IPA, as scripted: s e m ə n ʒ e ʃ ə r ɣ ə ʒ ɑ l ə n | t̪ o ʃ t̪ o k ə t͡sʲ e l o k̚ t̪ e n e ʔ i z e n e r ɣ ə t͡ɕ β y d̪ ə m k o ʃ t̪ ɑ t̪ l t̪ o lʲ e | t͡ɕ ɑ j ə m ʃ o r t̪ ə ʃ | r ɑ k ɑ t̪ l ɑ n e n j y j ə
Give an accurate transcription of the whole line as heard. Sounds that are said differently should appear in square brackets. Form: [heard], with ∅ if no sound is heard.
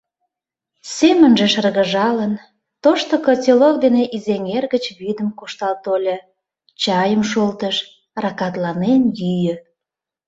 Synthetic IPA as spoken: s e m ə n ʒ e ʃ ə r ɣ ə ʒ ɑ l ə n | t̪ o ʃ t̪ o k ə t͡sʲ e l o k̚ [d̪] e n e ʔ i z e [ŋ] e r ɣ ə t͡ɕ β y d̪ ə m k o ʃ t̪ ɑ [∅] l t̪ o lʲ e | t͡ɕ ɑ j ə m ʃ o [l] t̪ ə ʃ | r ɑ k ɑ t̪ l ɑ n e n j y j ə